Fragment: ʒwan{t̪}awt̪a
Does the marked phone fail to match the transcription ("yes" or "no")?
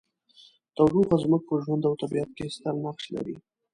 yes